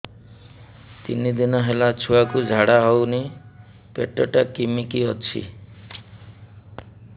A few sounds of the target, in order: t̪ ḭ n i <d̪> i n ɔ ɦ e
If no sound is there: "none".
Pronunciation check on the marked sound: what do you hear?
d̪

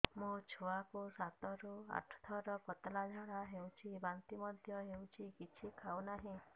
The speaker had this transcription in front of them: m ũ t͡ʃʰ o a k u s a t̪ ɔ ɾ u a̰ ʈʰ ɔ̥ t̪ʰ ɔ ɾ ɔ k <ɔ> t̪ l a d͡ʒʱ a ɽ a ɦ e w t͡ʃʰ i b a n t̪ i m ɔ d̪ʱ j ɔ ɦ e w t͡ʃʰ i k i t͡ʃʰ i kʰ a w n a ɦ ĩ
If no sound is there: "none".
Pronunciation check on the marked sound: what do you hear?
ɔ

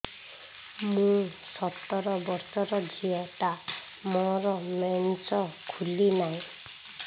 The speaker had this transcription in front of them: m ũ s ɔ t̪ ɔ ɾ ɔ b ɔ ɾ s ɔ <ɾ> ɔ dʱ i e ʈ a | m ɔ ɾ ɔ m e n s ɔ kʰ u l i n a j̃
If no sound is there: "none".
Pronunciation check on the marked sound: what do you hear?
ɾ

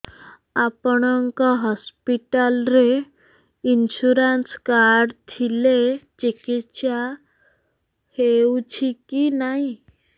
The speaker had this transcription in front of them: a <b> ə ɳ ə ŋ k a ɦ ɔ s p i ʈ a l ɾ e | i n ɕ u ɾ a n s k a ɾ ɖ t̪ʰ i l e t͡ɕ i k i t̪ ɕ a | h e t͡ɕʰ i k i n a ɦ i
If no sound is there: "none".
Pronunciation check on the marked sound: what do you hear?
p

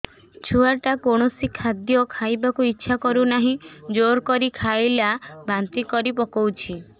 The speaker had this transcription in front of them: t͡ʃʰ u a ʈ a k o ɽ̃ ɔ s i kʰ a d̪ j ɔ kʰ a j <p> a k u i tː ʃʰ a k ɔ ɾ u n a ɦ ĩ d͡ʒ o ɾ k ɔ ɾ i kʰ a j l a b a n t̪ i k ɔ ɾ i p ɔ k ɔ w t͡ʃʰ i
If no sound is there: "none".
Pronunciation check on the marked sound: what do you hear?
b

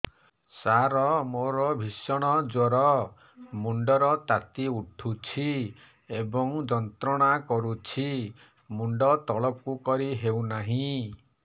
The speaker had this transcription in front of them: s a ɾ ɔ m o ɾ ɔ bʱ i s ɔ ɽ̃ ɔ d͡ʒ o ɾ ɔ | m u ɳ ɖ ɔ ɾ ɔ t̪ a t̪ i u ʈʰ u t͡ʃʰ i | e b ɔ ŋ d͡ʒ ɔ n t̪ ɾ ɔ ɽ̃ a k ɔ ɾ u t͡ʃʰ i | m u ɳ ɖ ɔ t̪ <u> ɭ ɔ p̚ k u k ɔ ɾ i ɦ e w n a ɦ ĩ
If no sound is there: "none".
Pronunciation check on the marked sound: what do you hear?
ɔ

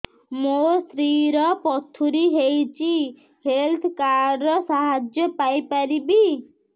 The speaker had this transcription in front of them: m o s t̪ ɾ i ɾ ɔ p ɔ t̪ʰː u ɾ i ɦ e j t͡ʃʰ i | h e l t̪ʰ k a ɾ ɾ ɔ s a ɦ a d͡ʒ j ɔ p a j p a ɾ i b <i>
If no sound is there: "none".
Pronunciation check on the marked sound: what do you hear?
i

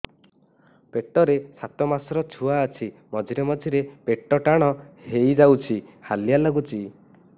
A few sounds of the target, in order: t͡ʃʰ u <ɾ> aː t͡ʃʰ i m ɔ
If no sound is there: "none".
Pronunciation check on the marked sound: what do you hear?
none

